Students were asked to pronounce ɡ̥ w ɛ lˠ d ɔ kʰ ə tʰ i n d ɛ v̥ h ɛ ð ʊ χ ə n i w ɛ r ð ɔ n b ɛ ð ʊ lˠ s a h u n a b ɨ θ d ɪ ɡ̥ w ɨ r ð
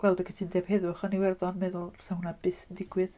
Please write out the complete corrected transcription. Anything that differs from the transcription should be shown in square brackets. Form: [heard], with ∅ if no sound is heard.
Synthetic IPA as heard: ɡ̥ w ɛ lˠ d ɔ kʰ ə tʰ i n d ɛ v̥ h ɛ ð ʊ χ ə n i w ɛ r ð ɔ n [m] ɛ ð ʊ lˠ s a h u n a b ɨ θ d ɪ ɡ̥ w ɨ [∅] ð